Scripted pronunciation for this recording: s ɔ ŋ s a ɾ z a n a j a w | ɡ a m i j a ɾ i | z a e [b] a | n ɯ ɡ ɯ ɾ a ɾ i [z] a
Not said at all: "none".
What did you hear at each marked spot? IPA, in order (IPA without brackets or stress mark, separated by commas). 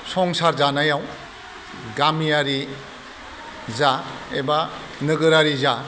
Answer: b, z